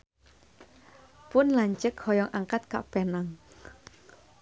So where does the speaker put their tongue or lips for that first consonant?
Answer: lips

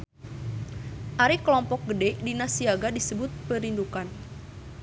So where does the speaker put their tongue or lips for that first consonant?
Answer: throat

